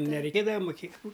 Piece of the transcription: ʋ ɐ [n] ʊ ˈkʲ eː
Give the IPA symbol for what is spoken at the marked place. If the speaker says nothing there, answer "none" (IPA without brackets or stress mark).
m